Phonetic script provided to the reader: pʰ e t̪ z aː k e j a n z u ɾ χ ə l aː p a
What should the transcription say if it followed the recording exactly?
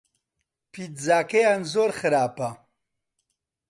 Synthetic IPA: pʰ i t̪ z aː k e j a n z o ɾ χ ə ɾ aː p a